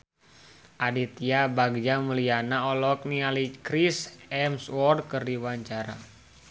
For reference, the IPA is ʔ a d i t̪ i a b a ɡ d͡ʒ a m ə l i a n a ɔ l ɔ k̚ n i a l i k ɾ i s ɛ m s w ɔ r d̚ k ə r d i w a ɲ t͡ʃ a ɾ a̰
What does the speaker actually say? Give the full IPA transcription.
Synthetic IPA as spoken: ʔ a d i t̪ i a b a ɡ d͡ʒ a m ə l i a n a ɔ l ɔ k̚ n i a l i k ɾ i s ɛ m s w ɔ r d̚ k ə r d i w a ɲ t͡ʃ a ɾ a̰